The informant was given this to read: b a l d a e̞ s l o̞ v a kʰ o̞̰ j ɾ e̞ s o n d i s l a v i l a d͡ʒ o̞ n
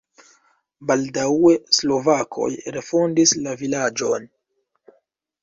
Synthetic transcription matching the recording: b a l d a e̞ s l o̞ v a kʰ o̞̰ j ɾ e̞ f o n d i s l a v i l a d͡ʒ o̞ n